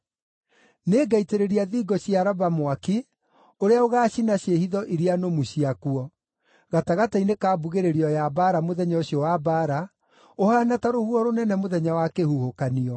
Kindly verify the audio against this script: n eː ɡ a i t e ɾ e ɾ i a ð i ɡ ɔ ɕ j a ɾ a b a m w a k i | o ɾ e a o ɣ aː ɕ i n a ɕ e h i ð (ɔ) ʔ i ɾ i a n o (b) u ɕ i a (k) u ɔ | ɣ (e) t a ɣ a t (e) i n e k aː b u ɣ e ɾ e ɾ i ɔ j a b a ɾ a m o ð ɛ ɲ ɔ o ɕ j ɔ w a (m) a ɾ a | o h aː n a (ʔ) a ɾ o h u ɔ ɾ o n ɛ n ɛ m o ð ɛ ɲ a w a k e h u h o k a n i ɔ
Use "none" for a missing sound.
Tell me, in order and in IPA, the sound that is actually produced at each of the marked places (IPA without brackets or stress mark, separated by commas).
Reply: ɔ, m, k, a, a, b, t